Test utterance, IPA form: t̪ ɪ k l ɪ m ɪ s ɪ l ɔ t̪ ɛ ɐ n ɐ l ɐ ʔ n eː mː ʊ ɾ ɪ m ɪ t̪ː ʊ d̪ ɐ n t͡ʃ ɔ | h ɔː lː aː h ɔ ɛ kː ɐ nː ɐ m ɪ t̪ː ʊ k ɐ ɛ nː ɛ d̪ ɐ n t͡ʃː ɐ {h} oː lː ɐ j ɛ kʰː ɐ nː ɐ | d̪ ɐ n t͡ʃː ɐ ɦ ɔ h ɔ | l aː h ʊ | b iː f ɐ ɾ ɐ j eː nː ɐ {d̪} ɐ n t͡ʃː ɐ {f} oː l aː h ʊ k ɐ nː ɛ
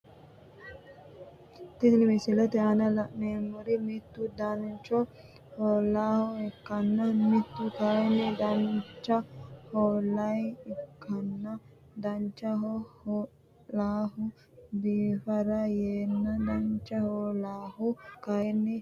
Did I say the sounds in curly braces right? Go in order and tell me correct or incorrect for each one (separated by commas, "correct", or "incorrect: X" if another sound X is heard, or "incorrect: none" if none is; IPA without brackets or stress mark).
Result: correct, correct, incorrect: h